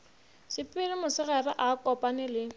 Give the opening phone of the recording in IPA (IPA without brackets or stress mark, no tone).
s